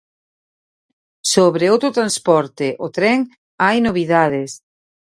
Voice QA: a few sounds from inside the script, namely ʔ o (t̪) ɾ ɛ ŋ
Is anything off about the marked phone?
no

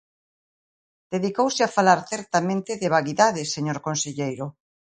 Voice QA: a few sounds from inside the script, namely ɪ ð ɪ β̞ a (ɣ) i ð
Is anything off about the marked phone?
no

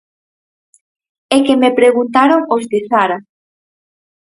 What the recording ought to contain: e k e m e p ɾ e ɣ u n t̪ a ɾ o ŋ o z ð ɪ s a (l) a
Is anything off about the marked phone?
yes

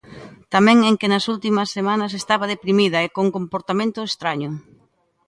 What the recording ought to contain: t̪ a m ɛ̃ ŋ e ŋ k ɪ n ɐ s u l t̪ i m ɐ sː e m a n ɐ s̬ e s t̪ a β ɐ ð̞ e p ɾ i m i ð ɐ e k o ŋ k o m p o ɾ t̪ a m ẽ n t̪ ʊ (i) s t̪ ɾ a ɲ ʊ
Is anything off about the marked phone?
yes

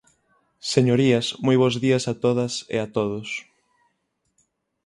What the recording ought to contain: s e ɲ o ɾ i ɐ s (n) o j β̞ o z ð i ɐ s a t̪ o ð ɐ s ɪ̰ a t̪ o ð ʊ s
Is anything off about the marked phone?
yes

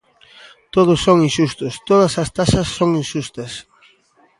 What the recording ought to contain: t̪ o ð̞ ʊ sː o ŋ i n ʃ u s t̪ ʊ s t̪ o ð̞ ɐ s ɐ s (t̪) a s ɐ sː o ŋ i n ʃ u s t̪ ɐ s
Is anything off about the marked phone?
no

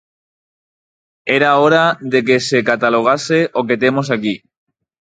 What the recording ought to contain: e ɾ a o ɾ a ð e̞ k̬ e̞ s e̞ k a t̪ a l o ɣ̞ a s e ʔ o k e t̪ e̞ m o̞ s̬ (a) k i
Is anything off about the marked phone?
no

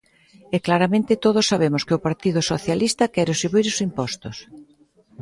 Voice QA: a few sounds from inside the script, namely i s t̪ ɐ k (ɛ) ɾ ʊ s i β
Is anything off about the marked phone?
no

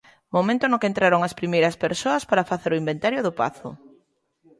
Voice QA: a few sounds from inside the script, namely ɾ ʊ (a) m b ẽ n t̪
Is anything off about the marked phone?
yes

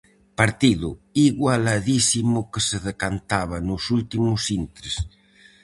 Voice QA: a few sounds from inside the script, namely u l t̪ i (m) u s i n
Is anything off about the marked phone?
no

